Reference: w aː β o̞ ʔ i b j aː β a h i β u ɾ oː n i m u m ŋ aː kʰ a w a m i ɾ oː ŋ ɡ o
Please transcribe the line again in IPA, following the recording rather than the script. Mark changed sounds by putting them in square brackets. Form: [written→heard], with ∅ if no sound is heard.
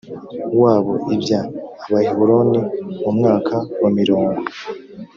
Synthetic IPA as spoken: w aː β o̞ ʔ i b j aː β a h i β u ɾ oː n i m u m ŋ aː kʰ a w a m i ɾ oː ŋ ɡ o